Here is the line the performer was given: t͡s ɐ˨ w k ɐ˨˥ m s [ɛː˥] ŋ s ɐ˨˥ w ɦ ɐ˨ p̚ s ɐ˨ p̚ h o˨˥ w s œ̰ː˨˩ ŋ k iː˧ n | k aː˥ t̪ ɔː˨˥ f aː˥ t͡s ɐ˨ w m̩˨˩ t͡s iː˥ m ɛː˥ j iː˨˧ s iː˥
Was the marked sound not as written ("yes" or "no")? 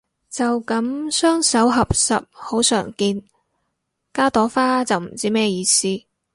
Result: yes